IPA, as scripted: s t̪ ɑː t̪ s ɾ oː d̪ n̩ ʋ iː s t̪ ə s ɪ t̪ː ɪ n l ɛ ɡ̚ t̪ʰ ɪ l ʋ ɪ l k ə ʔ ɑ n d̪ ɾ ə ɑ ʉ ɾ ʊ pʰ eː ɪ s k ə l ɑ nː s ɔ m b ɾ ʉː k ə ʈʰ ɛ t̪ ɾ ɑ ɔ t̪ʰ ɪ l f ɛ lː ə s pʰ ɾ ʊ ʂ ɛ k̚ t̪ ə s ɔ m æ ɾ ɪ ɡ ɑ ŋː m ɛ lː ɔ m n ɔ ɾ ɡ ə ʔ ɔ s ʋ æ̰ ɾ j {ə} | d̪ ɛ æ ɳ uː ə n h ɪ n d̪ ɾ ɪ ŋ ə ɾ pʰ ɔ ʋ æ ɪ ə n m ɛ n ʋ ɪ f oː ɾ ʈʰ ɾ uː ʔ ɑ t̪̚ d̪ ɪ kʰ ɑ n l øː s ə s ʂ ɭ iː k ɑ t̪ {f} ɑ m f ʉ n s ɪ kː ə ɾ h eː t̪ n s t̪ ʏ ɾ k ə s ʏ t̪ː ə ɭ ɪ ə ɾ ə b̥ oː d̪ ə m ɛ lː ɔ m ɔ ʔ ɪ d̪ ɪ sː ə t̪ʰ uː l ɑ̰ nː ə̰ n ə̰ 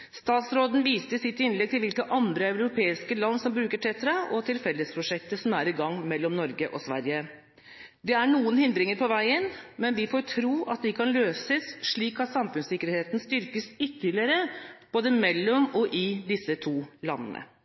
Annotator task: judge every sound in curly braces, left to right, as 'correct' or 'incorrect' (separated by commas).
correct, incorrect